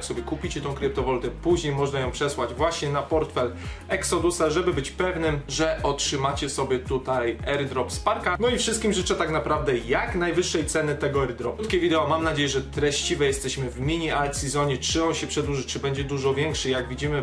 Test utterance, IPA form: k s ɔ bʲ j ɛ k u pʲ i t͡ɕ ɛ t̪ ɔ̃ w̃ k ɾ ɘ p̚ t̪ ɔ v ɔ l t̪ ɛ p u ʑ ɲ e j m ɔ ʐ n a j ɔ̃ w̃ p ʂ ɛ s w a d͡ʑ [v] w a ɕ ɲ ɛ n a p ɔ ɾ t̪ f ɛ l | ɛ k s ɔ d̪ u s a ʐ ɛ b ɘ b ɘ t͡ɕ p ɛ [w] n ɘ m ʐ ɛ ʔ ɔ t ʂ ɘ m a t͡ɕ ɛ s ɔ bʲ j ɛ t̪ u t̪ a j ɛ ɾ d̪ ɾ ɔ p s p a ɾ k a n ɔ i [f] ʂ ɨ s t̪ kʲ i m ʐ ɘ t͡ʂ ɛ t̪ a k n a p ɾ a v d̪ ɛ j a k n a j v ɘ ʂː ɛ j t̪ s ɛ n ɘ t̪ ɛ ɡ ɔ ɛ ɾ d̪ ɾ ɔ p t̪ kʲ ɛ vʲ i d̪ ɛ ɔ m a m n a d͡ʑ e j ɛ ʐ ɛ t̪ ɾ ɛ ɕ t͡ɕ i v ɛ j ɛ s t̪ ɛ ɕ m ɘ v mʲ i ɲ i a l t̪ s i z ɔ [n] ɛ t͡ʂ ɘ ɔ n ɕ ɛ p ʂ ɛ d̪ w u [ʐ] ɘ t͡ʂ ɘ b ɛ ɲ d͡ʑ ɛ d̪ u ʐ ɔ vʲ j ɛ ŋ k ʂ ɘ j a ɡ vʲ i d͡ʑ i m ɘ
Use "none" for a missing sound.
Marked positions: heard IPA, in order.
v, v, f, ɲ, ʐ

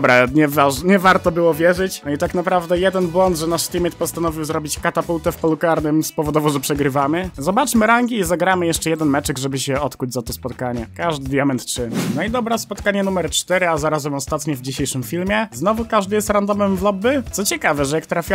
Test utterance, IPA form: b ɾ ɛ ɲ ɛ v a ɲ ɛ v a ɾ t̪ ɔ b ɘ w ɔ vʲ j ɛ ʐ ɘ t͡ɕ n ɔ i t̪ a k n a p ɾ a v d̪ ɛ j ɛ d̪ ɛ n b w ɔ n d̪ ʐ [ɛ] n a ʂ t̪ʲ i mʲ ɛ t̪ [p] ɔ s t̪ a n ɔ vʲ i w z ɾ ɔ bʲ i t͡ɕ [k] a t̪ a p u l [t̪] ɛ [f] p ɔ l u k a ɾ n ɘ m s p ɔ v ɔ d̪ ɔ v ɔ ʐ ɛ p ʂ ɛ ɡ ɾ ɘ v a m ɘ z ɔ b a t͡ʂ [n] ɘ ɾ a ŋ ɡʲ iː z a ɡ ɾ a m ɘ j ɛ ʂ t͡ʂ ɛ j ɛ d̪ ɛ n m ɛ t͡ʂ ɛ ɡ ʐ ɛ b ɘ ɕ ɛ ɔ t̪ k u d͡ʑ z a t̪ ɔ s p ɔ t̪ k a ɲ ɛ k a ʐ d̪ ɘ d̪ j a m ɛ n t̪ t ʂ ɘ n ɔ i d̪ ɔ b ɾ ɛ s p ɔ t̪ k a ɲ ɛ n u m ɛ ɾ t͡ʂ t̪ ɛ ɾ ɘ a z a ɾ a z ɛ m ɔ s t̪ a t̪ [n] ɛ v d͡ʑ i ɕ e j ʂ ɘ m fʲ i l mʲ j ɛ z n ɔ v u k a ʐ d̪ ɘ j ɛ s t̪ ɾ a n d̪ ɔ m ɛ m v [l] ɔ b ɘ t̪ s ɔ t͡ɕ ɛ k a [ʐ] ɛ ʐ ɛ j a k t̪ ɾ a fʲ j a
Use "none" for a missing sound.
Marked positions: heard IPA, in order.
ɛ, p, k, t̪, f, m, ɲ, l, v

